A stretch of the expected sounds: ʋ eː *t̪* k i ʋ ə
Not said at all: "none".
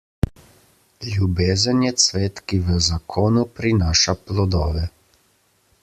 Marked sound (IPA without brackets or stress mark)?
t̪